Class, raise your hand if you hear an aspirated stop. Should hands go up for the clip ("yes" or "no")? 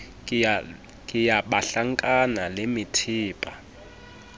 yes